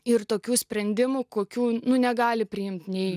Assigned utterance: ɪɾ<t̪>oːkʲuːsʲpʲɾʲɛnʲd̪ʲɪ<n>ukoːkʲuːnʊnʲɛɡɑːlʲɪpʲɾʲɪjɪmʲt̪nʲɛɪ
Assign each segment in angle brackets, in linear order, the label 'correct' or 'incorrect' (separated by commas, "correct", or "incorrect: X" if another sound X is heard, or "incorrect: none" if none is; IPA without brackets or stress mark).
correct, incorrect: m